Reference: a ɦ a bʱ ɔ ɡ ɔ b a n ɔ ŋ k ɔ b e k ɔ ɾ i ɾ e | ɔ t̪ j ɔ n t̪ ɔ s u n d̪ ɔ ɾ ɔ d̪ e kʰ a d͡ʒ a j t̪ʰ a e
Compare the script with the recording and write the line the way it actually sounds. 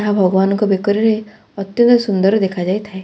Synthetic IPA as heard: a ɦ a bʱ ɔ ɡ ɔ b a n ɔ ŋ k ɔ b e k ɔ ɾ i ɾ e | ɔ t̪ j ɔ n t̪ ɔ s u n d̪ ɔ ɾ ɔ d̪ e kʰ a d͡ʒ a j t̪ʰ a e